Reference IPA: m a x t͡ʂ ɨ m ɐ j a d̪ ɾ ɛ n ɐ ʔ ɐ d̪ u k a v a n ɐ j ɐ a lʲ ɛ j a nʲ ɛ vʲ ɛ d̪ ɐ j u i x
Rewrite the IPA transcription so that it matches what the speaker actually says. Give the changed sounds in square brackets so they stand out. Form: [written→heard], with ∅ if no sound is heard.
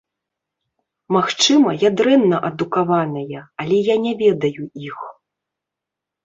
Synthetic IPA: m a x t͡ʂ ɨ m ɐ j a d̪ ɾ ɛ [n→nː] ɐ ʔ ɐ d̪ u k a v a n ɐ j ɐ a lʲ ɛ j a nʲ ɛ vʲ ɛ d̪ ɐ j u i x